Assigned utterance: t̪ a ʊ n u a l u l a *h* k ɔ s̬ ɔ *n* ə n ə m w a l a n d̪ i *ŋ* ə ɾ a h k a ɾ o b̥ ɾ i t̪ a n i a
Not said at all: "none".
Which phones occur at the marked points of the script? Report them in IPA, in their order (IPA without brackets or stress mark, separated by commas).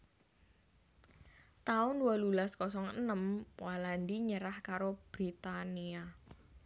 s, ŋ, ɲ